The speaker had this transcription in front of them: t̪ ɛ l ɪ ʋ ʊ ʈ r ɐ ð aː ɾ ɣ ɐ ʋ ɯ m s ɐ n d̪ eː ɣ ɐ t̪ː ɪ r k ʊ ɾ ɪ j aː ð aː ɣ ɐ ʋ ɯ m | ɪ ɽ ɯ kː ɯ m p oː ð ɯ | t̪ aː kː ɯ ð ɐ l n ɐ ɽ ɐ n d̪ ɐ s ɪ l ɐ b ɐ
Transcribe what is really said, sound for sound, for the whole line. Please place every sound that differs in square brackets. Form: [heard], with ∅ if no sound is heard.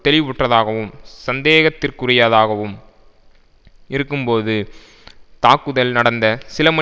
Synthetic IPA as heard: t̪ ɛ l ɪ ʋ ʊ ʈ r ɐ ð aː [∅] ɣ ɐ ʋ ɯ m s ɐ n d̪ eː ɣ ɐ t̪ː ɪ r k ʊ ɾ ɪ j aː ð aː ɣ ɐ ʋ ɯ m | ɪ [ɾ] ɯ kː ɯ m p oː ð ɯ | t̪ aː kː ɯ ð ɐ l n ɐ ɽ ɐ n d̪ ɐ s ɪ l ɐ [m] ɐ